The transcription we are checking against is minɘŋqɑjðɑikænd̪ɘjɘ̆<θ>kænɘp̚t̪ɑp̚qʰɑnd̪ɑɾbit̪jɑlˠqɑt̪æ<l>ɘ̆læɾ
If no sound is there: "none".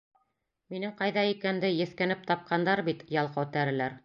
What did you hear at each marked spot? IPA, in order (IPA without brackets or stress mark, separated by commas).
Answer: θ, ɾ